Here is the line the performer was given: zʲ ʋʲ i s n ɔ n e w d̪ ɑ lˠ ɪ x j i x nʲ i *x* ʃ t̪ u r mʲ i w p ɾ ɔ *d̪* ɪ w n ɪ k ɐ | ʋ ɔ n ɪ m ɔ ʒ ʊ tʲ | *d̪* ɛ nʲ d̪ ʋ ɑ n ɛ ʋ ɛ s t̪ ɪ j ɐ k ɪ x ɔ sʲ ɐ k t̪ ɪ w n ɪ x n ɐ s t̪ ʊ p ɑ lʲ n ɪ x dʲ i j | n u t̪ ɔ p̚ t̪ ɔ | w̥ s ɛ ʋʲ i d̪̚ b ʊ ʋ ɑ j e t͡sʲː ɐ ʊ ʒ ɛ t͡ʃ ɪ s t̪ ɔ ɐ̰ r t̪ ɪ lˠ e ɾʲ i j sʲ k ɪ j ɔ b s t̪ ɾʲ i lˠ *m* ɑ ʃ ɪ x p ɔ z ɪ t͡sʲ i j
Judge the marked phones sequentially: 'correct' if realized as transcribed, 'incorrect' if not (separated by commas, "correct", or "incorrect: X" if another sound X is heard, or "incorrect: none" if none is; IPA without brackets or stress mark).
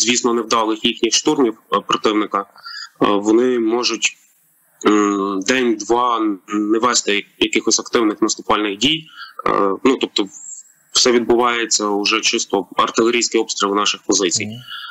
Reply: correct, incorrect: t̪, correct, incorrect: n